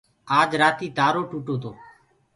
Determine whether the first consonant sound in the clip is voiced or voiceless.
voiced